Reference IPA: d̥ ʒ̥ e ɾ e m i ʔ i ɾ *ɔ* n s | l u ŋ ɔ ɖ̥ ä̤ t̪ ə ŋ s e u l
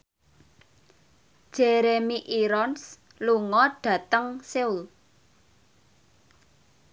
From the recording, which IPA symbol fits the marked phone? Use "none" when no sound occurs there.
ɔ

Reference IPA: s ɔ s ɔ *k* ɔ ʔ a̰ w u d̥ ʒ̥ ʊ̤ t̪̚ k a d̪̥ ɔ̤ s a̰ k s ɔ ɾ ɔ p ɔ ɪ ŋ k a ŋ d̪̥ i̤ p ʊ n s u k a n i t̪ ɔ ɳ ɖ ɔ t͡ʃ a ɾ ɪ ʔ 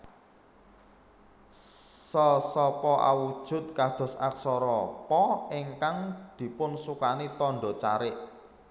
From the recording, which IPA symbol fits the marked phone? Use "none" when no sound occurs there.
p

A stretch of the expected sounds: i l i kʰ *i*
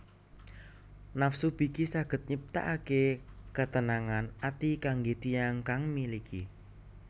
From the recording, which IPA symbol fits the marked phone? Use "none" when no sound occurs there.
i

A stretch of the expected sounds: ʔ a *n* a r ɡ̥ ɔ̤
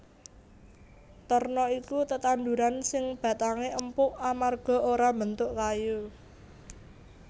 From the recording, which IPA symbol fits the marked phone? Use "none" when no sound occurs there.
m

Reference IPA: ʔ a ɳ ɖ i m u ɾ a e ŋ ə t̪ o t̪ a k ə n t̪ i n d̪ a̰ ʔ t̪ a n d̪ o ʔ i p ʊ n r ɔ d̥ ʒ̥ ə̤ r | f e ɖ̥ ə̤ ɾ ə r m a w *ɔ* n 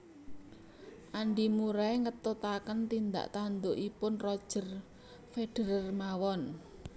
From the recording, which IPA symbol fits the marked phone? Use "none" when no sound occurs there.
ɔ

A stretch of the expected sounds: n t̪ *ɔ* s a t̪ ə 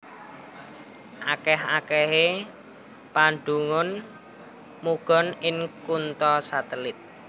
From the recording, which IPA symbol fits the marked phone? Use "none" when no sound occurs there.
ɔ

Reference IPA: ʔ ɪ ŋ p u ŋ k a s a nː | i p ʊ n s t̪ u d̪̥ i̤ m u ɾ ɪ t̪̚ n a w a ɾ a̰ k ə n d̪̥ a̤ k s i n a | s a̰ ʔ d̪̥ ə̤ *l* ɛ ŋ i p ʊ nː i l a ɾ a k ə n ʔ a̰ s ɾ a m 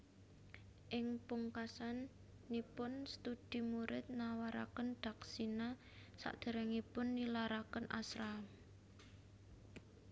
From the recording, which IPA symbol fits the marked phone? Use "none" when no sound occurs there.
ɾ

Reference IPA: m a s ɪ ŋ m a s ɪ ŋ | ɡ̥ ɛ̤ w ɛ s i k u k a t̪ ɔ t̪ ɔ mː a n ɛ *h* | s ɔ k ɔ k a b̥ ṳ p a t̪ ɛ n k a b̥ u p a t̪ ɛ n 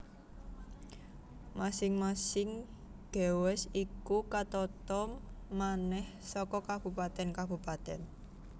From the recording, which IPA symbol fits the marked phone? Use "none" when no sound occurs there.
h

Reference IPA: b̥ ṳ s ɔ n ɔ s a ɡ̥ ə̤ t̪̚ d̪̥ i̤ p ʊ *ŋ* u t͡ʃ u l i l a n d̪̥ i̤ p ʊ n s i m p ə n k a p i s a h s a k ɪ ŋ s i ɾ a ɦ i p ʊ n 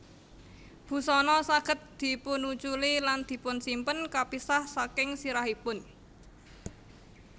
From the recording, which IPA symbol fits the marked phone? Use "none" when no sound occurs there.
n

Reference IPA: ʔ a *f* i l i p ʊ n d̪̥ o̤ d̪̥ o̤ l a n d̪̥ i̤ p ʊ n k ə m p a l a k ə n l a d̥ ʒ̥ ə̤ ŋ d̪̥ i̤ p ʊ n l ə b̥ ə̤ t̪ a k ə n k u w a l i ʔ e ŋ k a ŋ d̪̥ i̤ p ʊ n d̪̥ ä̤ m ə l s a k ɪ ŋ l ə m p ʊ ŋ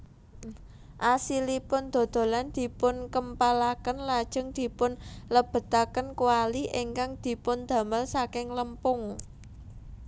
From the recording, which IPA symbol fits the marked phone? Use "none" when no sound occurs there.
s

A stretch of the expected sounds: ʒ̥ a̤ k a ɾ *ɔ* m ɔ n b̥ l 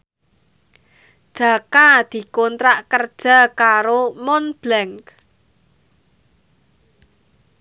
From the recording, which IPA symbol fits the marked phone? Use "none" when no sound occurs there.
o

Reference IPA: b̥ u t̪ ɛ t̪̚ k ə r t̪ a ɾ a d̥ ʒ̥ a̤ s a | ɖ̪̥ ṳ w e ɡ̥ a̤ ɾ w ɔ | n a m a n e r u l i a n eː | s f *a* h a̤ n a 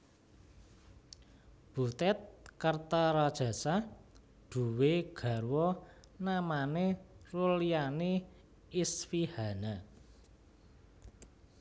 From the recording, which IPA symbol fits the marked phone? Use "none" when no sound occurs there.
i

